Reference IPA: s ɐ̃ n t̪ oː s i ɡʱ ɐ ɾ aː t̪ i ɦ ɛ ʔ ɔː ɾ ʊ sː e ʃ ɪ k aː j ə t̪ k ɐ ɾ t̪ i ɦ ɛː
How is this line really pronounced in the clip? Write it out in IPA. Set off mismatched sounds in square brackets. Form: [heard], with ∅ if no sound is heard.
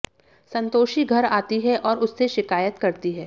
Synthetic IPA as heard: s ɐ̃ n t̪ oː [ʃ] i ɡʱ ɐ ɾ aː t̪ i ɦ ɛ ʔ ɔː ɾ ʊ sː e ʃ ɪ k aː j ə t̪ k ɐ ɾ t̪ i ɦ ɛː